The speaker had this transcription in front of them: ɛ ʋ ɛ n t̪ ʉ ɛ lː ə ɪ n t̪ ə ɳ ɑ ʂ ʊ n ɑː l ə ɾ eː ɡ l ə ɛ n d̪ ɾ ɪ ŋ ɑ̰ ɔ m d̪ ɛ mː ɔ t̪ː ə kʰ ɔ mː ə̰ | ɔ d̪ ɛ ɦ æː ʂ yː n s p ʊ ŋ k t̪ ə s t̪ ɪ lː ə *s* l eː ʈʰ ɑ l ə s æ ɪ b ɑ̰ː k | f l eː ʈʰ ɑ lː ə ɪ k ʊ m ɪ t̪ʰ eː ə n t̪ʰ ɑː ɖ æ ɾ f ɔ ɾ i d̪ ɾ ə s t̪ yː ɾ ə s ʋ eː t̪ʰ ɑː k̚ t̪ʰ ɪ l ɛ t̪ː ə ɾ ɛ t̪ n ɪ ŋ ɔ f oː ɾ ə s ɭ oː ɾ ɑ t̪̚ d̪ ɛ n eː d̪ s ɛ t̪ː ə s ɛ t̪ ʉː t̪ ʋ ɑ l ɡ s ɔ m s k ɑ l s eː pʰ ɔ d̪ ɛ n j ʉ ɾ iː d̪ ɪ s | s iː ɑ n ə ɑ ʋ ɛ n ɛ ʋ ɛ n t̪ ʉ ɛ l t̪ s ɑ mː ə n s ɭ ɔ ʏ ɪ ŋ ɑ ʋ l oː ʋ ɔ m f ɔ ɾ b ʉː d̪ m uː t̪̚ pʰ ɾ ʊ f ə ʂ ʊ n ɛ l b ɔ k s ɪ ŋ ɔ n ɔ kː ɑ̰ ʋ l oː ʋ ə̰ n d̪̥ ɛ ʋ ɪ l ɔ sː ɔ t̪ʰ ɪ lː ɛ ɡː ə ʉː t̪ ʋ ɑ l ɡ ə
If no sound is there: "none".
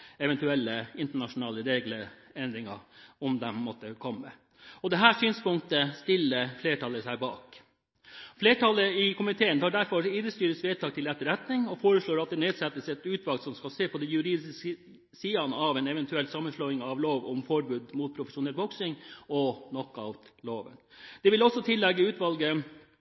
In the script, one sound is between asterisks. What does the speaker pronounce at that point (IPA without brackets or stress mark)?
f